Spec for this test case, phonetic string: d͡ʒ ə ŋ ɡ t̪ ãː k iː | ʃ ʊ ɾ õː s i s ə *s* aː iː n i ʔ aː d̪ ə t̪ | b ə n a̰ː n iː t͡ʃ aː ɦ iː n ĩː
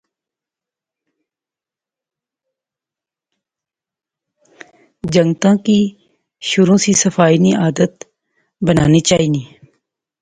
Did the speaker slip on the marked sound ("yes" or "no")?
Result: yes